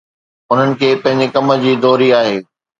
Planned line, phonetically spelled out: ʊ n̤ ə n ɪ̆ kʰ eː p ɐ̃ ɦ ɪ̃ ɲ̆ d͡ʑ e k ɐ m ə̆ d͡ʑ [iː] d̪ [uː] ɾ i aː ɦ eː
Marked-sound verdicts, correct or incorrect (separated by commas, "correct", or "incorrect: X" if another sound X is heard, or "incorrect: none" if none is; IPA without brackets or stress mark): correct, incorrect: ɔː